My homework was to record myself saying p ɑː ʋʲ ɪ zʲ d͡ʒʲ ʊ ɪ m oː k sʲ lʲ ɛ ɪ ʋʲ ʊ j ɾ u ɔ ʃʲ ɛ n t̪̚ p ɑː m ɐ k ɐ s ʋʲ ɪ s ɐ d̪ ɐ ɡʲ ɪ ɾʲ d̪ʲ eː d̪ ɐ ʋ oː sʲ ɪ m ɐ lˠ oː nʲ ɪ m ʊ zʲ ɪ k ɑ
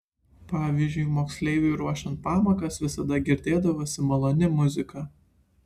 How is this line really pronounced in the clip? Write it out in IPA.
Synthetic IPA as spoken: p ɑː ʋʲ i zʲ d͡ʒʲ ʊ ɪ m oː k sʲ lʲ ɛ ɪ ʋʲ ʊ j ɾ u ɔ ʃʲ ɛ n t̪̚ p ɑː m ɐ k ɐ s ʋʲ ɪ s ɐ d̪ ɐ ɡʲ ɪ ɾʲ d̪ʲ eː d̪ ɐ ʋ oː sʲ ɪ m ɐ lˠ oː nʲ ɪ m ʊ zʲ ɪ k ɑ